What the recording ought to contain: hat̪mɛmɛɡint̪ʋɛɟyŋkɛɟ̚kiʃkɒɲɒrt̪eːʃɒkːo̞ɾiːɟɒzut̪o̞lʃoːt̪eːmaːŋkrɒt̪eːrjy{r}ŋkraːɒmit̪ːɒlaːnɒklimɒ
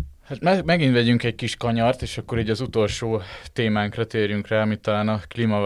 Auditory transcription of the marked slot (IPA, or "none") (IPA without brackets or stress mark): none